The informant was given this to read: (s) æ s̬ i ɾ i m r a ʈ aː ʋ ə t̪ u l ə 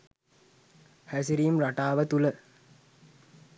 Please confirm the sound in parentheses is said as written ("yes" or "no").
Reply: no